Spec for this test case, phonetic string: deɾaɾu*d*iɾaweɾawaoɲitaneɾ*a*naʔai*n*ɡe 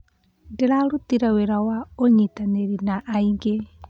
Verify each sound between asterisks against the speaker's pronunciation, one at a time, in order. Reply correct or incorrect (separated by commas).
incorrect, incorrect, incorrect